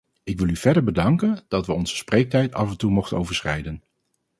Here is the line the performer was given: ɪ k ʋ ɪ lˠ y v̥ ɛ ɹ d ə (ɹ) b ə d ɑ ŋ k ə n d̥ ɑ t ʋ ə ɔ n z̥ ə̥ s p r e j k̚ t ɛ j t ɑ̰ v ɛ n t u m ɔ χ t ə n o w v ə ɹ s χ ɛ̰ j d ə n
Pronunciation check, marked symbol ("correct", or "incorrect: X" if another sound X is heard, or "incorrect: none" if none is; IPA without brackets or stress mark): correct